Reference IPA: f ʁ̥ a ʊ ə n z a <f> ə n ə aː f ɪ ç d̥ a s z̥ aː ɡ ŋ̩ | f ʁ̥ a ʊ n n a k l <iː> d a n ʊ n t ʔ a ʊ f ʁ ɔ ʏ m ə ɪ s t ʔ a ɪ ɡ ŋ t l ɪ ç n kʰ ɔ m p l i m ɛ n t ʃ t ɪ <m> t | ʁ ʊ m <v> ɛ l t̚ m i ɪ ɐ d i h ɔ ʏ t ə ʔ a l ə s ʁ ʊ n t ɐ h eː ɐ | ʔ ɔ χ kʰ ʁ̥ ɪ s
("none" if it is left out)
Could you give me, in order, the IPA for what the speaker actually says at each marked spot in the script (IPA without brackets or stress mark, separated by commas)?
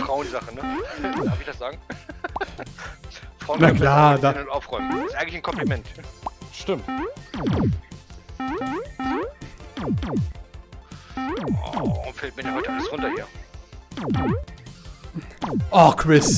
χ, aː, m, f